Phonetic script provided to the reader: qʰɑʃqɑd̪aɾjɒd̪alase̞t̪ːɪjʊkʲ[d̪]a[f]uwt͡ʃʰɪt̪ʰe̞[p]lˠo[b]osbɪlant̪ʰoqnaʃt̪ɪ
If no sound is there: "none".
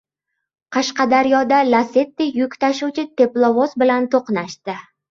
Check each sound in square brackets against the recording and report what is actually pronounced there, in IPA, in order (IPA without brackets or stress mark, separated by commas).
t̪, ʃ, p, v